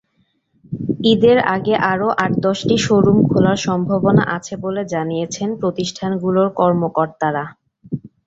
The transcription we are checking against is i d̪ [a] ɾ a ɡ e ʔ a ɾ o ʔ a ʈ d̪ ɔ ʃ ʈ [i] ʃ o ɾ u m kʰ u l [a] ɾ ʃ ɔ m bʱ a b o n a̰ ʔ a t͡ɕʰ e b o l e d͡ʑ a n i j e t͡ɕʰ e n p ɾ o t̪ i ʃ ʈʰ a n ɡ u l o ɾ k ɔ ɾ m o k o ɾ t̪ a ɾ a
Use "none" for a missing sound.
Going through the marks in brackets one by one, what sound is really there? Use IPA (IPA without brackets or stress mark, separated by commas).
e, i, a